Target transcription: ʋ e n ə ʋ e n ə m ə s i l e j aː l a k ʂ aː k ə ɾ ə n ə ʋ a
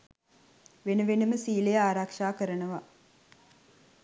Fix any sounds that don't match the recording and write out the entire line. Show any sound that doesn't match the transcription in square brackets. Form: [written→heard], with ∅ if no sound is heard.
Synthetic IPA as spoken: ʋ e n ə ʋ e n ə m ə s [i→iː] l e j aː [l→ɾ] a k ʂ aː k ə ɾ ə n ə ʋ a